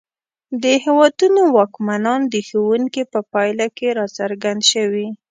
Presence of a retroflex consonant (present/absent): absent